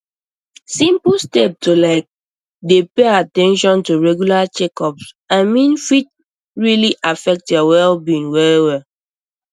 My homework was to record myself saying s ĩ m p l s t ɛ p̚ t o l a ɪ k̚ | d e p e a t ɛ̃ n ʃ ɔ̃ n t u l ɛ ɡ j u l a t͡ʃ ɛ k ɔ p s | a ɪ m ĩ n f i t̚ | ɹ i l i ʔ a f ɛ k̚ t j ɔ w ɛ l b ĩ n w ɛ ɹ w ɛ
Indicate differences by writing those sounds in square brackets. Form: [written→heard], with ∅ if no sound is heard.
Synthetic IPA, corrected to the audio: s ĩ m p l s t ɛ p̚ t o l a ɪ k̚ | d e p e a t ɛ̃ n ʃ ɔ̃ n t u [l→ɹ] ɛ ɡ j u l a t͡ʃ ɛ k ɔ p s | a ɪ m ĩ n f i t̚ | ɹ i l i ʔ a f ɛ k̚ t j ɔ w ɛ l b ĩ n w ɛ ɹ w ɛ